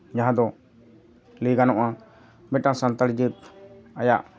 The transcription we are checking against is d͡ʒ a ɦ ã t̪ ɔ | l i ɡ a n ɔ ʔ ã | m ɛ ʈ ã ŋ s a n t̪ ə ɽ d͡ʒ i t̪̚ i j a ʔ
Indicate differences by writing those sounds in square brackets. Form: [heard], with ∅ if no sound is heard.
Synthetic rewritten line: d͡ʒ a ɦ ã [d̪] ɔ | l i ɡ a n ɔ ʔ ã | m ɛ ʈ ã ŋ s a n t̪ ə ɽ d͡ʒ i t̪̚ [a] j a ʔ